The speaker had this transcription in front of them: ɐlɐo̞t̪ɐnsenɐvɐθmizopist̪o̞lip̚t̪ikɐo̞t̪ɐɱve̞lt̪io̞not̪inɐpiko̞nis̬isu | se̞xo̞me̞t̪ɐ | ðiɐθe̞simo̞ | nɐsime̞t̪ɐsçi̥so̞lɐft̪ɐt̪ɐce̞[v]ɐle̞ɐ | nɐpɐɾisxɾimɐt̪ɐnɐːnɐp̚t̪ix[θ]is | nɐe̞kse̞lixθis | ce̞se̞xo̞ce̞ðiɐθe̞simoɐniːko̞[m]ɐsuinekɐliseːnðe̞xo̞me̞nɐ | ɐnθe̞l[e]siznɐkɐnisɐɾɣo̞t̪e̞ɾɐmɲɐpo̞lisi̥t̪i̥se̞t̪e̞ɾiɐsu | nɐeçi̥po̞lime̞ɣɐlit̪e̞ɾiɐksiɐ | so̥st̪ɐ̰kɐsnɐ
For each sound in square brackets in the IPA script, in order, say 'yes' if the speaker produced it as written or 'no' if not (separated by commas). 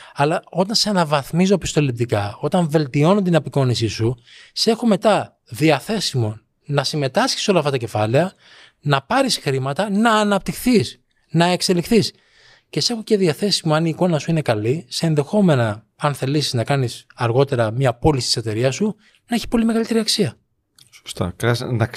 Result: no, yes, no, no